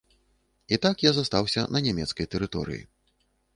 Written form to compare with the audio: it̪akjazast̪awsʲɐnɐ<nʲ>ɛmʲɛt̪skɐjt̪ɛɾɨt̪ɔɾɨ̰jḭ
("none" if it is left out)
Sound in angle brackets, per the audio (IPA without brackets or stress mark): nʲ